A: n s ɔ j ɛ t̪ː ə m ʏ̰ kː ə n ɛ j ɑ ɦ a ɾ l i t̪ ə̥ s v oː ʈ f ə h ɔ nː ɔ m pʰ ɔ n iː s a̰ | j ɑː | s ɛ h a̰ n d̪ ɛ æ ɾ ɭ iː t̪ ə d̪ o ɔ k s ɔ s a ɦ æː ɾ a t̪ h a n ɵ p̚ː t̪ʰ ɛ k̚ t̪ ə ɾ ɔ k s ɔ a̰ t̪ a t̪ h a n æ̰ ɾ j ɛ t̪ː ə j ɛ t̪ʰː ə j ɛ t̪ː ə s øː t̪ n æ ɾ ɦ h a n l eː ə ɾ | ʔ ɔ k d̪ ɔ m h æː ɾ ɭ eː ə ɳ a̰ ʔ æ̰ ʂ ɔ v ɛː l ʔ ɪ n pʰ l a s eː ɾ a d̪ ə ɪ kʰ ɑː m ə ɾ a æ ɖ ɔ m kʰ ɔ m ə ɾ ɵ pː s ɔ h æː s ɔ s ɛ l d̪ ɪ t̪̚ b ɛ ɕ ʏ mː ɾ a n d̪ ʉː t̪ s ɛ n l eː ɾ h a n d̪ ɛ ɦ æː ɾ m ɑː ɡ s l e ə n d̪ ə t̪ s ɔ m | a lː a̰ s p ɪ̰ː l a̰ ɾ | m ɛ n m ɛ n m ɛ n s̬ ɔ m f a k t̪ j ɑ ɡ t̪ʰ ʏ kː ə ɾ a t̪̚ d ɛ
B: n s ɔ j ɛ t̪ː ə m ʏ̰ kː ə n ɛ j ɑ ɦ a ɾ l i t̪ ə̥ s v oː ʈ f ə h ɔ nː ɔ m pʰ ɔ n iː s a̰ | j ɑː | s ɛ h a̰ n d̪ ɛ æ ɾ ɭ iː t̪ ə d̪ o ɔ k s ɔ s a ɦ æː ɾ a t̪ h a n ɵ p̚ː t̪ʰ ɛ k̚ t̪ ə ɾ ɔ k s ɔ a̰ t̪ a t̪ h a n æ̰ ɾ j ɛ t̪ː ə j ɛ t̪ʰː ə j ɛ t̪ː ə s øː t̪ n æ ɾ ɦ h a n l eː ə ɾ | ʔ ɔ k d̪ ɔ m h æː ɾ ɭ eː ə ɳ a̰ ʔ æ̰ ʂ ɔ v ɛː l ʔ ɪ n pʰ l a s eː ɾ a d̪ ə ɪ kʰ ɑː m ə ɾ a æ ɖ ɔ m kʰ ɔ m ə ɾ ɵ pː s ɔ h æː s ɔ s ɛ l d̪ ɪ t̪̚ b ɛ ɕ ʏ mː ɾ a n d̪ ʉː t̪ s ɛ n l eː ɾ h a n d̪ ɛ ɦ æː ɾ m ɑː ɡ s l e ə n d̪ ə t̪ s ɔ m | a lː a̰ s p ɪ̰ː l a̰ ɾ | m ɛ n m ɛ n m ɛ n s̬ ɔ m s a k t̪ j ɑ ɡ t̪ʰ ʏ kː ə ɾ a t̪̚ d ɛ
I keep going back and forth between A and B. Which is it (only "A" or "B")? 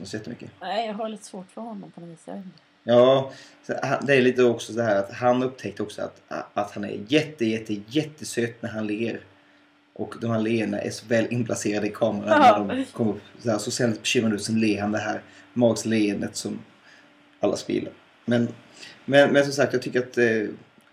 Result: B